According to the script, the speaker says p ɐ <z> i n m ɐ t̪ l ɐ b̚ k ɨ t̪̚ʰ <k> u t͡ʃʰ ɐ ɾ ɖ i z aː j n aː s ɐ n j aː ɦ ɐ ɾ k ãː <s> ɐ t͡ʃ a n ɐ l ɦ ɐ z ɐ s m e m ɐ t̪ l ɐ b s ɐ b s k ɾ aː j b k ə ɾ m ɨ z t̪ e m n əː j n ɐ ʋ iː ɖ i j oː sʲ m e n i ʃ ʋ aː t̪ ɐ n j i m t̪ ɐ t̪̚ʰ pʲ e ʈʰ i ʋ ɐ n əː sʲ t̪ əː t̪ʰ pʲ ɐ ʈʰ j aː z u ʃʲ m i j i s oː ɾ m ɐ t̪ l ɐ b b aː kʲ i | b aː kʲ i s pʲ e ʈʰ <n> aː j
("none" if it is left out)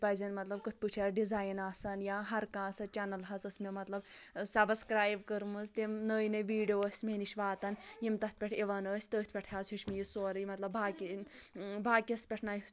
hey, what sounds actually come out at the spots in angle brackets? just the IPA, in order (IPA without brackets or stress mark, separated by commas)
z, p, s, n